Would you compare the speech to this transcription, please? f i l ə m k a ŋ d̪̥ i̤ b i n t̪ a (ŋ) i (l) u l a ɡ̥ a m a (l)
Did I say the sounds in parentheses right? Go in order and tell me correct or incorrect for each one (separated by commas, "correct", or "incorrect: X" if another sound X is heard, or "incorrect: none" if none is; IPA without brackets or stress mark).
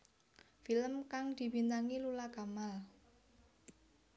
correct, correct, correct